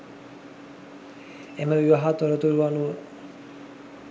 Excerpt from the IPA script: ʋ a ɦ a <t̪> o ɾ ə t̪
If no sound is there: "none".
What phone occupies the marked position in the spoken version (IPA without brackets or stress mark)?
t̪